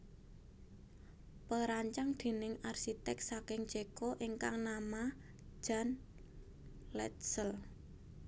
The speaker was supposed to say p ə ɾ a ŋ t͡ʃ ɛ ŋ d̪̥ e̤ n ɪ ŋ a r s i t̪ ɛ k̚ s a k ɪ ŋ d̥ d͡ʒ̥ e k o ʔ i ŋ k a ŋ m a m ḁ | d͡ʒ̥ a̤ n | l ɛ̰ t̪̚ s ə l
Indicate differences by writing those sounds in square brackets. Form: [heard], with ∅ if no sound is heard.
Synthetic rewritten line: p ə ɾ a [ɲ] t͡ʃ [a] ŋ d̪̥ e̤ n ɪ ŋ a r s i t̪ ɛ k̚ s a k ɪ ŋ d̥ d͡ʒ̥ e k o ʔ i ŋ k a ŋ [n] a m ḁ | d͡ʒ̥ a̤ n | l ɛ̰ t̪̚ s ə l